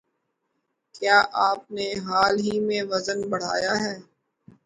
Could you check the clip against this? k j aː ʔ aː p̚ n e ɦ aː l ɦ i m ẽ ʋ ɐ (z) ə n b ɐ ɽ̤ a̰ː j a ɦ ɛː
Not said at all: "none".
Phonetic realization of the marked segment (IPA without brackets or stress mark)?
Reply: z